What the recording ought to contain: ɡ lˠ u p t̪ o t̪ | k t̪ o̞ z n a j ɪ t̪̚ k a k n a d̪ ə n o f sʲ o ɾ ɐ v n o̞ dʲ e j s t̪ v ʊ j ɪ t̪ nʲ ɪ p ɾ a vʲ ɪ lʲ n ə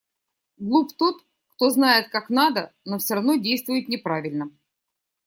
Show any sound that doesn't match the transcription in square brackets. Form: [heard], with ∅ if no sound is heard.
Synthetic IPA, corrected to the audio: ɡ lˠ u p t̪ o t̪ | k t̪ o̞ z n a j ɪ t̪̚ k a k n a d̪ ə n o f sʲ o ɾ ɐ v n o̞ dʲ e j s t̪ v ʊ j ɪ t̪ nʲ ɪ p ɾ a vʲ ɪ lʲ n ə